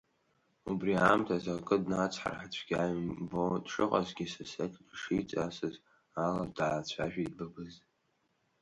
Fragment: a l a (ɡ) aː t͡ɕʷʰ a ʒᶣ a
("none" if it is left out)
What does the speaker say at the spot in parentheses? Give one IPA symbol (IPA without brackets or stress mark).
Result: d